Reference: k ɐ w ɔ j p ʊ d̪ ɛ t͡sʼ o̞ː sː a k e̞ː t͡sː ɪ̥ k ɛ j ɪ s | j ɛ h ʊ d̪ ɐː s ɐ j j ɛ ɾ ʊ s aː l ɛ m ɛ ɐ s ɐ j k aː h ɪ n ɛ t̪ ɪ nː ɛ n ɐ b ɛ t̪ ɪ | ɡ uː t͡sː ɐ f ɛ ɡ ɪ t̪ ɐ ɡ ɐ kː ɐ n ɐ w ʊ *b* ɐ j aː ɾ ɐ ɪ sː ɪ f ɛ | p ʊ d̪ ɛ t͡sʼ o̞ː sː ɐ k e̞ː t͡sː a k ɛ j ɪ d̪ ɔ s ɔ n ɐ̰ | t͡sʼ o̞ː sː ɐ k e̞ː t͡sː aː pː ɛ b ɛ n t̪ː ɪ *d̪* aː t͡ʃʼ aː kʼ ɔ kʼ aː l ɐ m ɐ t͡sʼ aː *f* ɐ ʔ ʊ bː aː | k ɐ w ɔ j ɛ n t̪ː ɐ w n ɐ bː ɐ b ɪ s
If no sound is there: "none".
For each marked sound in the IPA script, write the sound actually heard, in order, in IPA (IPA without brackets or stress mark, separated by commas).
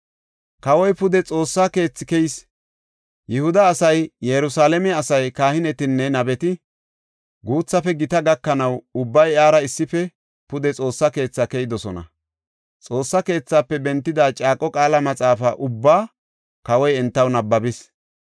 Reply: bː, d̪, f